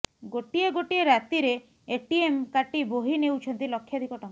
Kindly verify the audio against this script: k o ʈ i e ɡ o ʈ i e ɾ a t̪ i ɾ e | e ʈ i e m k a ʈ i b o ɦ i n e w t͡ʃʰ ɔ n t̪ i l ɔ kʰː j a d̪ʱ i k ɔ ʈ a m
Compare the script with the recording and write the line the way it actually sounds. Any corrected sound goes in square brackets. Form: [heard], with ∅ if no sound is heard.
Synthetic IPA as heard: [ɡ] o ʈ i e ɡ o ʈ i e ɾ a t̪ i ɾ e | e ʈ i e m k a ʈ i b o ɦ i n e w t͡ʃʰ ɔ n t̪ i l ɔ kʰː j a d̪ʱ i k ɔ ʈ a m